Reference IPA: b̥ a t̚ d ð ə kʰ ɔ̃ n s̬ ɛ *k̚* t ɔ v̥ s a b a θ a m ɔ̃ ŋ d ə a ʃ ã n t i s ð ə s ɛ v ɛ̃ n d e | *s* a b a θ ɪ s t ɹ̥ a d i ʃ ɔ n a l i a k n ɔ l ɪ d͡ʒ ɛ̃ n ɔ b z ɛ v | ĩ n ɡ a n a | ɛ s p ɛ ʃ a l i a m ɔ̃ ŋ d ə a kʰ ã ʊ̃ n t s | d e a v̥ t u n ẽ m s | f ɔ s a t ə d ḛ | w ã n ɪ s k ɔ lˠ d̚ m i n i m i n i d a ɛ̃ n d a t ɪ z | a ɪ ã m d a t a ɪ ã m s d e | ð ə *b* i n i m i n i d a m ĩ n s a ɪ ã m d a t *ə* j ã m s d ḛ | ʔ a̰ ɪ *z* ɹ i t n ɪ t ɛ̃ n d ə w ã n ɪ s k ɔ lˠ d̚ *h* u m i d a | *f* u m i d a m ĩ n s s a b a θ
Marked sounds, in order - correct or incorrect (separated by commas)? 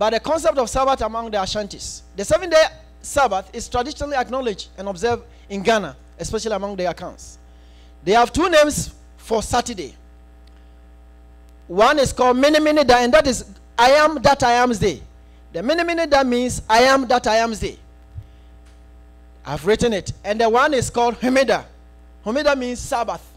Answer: incorrect, correct, incorrect, incorrect, incorrect, correct, incorrect